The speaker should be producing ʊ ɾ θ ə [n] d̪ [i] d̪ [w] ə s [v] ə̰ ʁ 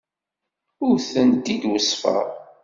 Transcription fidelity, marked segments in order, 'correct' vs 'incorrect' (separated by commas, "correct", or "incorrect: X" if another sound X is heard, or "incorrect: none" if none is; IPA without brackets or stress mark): correct, correct, correct, incorrect: f